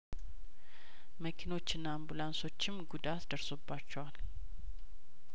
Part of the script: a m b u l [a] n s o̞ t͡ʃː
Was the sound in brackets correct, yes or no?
yes